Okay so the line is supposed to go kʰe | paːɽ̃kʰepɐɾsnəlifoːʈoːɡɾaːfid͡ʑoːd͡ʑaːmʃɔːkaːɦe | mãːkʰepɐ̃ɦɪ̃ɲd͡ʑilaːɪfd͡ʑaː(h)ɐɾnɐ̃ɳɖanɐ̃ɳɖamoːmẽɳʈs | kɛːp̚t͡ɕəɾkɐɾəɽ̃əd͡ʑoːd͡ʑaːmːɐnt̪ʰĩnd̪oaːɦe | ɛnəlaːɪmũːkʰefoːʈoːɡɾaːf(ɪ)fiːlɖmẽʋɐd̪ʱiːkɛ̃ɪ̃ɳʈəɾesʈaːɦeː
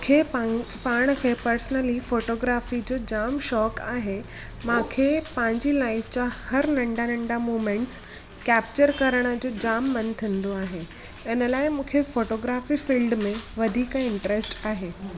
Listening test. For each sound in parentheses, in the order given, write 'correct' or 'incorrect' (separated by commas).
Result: correct, incorrect